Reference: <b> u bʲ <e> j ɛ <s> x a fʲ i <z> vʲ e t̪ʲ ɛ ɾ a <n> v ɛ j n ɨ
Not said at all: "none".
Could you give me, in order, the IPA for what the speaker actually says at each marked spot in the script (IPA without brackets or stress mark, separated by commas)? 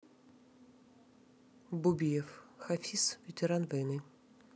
b, i, f, s, n